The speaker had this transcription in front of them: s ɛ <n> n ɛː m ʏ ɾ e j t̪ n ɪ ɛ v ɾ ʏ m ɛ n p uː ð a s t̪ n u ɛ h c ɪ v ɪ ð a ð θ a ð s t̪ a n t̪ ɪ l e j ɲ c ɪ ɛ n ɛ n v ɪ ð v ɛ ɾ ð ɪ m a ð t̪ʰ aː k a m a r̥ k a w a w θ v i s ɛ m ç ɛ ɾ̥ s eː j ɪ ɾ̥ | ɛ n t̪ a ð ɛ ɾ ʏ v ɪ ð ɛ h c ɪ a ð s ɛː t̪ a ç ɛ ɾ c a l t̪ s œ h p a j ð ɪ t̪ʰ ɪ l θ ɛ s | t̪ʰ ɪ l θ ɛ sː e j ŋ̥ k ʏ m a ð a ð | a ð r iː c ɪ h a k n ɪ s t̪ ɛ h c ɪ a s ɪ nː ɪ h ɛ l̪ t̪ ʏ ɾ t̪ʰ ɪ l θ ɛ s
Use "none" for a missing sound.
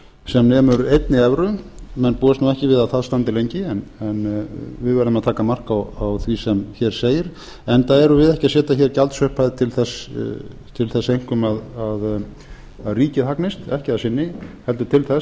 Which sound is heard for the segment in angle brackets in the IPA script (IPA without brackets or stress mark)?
m